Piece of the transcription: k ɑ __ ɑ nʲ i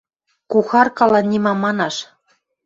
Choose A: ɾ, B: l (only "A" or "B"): B